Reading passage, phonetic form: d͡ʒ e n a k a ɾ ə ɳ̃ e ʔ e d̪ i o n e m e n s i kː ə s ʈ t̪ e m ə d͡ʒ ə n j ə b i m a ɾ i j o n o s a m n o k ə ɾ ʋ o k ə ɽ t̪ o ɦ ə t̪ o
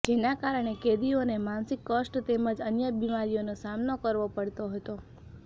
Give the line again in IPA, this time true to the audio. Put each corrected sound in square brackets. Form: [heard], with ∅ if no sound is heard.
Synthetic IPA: d͡ʒ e n a k a ɾ ə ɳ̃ e [k] e d̪ i o n e m [a] n s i kː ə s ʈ t̪ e m ə d͡ʒ ə n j ə b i m a ɾ i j o n o s a m n o k ə ɾ ʋ o [p] ə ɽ t̪ o ɦ ə t̪ o